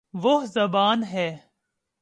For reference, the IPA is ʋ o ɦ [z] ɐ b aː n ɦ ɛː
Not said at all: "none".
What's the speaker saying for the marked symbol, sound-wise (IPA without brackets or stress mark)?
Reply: z